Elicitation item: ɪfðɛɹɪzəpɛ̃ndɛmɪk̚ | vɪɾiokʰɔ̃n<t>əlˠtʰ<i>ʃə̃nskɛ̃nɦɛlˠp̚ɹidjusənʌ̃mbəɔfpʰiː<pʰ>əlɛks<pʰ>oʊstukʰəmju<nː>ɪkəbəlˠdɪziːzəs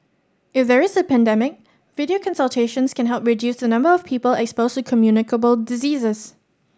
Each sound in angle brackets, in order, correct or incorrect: incorrect: s, incorrect: e, incorrect: p, incorrect: p, incorrect: n

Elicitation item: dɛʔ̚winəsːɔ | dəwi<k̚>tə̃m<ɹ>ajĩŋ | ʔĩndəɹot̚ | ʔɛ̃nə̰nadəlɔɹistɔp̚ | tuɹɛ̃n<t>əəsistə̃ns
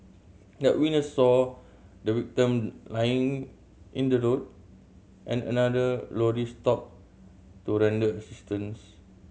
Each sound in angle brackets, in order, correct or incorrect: correct, incorrect: l, incorrect: d

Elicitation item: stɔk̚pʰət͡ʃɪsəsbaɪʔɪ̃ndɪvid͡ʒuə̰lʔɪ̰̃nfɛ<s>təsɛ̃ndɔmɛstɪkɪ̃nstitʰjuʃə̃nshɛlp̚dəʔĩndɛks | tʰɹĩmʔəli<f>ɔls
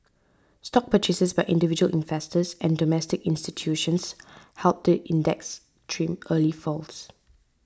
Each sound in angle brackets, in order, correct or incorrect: correct, correct

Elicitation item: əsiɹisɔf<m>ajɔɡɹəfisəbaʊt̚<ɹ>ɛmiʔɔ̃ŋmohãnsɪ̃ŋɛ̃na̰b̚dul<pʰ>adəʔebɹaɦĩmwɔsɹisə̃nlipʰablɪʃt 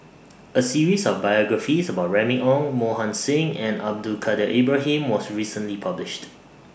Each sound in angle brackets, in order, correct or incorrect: incorrect: b, correct, incorrect: kʰ

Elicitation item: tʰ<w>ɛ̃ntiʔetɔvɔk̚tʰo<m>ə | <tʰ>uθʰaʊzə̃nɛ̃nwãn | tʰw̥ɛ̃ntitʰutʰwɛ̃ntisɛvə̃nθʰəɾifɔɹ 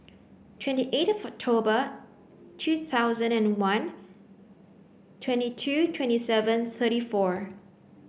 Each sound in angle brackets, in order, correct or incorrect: correct, incorrect: b, correct

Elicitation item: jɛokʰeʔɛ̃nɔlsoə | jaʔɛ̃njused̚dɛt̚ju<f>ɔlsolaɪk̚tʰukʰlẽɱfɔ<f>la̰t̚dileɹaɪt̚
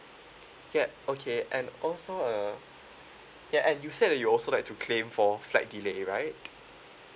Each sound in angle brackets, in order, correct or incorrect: incorrect: none, correct

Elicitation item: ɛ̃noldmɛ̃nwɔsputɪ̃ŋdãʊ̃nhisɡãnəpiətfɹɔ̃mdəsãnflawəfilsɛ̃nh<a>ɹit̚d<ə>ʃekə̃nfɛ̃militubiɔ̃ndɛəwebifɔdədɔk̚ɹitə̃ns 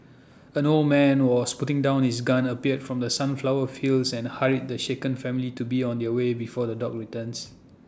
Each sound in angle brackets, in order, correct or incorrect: correct, correct

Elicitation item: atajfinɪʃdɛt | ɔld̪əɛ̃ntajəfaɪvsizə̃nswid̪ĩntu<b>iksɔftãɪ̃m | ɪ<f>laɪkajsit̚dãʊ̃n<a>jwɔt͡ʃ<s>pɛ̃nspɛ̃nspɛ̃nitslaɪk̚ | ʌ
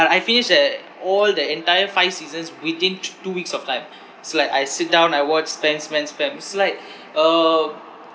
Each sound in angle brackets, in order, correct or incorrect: incorrect: w, incorrect: s, correct, correct

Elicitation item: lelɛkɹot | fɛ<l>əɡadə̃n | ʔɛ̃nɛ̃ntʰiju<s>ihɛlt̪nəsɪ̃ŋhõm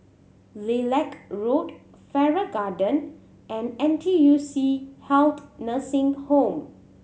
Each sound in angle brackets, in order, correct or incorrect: incorrect: ɹ, correct

